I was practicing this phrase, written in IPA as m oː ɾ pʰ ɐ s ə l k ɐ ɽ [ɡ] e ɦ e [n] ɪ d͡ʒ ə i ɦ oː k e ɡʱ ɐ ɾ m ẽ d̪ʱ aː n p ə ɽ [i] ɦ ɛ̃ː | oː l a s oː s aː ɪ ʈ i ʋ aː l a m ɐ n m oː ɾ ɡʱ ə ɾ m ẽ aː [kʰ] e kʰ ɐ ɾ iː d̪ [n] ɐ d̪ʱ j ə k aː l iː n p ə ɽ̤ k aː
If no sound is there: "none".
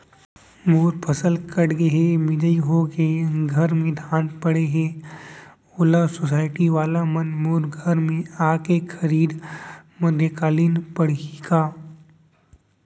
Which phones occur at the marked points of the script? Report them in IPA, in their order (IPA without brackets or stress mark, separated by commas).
ɡ, m, e, k, m